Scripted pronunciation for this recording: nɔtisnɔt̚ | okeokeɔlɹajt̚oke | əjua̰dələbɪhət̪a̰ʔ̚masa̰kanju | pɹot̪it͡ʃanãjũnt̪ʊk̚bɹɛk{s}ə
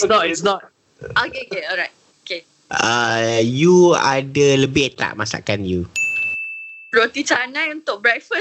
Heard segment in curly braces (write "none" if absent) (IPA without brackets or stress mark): f